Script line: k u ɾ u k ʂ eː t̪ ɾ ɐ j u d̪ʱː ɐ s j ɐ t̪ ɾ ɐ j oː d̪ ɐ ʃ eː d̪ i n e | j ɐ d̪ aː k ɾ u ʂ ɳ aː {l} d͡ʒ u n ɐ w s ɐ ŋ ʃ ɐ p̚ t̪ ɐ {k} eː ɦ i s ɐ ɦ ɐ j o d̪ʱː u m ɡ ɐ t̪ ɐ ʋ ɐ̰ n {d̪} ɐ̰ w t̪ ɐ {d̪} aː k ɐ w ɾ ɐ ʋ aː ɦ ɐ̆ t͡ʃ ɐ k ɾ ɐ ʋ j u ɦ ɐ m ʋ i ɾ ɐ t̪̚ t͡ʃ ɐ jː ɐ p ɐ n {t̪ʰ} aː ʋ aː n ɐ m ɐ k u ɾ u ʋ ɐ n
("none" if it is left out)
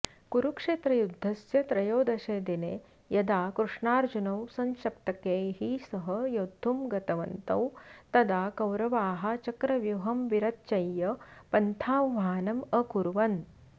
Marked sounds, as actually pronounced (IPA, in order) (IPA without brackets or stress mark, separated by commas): ɾ, k, t̪, d̪, t̪ʰ